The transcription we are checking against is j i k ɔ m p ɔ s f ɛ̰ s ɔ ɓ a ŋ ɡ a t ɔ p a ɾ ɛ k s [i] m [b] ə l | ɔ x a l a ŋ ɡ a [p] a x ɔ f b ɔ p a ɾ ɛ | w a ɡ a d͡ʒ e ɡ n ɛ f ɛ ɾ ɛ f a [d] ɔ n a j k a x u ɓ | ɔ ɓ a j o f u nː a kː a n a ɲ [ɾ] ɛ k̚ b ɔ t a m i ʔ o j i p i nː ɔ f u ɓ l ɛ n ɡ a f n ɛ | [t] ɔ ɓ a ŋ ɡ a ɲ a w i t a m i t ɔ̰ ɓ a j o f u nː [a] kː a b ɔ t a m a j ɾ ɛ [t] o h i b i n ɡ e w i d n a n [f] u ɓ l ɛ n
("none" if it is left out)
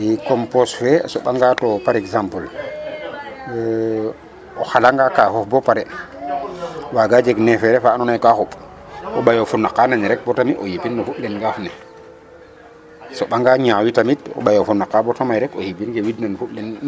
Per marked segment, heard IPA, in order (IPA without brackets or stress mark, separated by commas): a, p, k, n, ɾ, s, a, k, f